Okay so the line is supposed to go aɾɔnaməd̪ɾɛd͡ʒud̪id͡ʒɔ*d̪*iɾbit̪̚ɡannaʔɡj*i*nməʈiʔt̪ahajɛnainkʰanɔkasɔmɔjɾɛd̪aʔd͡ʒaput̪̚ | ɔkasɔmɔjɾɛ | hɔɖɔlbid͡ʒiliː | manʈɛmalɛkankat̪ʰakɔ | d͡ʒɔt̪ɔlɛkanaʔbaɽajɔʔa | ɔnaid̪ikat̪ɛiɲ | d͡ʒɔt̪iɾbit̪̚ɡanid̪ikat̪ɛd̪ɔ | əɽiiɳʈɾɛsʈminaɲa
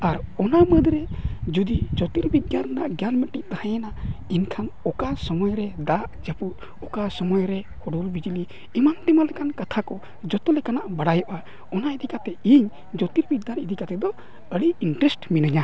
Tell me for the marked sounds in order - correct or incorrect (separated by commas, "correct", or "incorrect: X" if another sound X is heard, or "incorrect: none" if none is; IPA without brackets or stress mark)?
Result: incorrect: t̪, incorrect: a